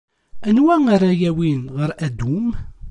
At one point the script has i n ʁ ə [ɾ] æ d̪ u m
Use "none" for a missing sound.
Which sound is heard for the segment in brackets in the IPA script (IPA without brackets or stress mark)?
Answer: ɾ